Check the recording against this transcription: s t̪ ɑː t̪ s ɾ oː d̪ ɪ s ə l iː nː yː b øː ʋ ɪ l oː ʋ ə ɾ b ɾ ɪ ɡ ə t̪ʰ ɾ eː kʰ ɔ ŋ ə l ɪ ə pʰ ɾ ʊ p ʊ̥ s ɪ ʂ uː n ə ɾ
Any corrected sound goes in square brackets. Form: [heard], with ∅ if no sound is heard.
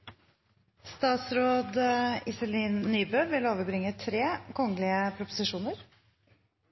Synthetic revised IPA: s t̪ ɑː t̪ s ɾ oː d̪ ɪ s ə l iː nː yː b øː ʋ ɪ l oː ʋ ə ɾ b ɾ ɪ [ŋ] ə t̪ʰ ɾ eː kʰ ɔ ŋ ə l ɪ ə pʰ ɾ ʊ p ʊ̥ s ɪ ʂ uː n ə ɾ